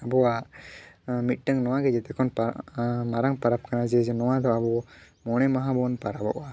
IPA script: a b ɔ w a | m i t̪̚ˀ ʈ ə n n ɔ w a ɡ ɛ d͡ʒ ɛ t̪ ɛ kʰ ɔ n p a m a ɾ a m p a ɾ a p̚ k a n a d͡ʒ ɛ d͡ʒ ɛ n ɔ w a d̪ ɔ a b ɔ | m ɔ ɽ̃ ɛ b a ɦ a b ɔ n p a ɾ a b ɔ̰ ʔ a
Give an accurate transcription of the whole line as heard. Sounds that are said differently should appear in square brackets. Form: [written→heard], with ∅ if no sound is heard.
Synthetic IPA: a b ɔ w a | m i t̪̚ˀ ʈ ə [n→ŋ] n ɔ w a ɡ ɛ d͡ʒ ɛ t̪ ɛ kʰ ɔ n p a m a ɾ a [m→ŋ] p a ɾ a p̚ k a n a d͡ʒ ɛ d͡ʒ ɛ n ɔ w a d̪ ɔ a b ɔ | m ɔ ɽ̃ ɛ [b→m] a ɦ a b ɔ n p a ɾ a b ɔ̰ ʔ a